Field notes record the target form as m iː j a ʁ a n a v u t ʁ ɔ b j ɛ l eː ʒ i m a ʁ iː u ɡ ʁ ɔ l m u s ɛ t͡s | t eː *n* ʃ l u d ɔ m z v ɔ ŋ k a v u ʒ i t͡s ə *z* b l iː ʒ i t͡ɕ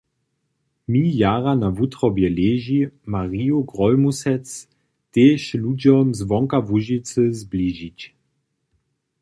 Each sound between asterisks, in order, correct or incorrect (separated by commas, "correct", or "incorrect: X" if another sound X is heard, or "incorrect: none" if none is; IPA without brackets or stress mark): incorrect: none, correct